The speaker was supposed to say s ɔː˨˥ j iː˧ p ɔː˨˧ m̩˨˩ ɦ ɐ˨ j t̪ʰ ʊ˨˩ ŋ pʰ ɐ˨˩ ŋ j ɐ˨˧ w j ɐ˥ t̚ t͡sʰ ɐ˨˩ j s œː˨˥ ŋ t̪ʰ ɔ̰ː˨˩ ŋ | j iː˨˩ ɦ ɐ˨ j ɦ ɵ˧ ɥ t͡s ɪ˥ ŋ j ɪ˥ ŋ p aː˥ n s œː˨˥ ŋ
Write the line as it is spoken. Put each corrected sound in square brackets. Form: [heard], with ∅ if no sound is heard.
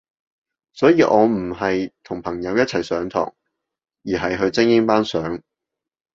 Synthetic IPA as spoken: s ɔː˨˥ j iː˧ [ʔ] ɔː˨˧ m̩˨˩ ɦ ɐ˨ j t̪ʰ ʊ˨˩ ŋ pʰ ɐ˨˩ ŋ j ɐ˨˧ w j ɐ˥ t̚ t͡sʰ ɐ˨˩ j s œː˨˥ ŋ t̪ʰ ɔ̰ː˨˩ ŋ | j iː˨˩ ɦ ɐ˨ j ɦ ɵ˧ ɥ t͡s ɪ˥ ŋ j ɪ˥ ŋ p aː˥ n s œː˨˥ ŋ